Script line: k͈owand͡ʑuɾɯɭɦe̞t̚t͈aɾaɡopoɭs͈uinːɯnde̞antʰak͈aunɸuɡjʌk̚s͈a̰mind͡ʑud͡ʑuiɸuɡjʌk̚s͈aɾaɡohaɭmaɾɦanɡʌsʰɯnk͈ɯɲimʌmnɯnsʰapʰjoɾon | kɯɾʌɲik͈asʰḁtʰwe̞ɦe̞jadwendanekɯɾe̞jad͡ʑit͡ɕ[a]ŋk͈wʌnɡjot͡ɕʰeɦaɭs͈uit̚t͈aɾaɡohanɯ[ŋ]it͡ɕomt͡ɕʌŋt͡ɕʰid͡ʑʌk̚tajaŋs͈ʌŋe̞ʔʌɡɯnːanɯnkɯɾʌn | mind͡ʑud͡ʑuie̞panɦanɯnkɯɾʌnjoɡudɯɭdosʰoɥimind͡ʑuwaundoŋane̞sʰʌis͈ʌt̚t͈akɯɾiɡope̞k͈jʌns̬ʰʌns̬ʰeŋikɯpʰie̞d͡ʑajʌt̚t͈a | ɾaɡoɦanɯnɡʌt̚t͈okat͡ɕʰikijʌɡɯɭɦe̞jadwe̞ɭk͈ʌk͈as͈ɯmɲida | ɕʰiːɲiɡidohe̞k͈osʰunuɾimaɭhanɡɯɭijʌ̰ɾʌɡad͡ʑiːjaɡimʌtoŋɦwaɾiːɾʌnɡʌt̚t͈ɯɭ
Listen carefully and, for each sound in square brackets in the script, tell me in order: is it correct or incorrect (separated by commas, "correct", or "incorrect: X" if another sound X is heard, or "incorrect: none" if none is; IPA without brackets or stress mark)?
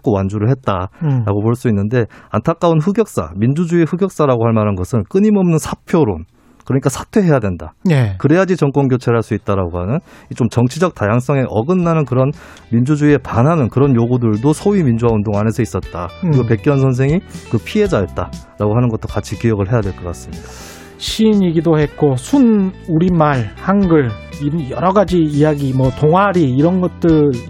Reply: incorrect: ʌ, incorrect: n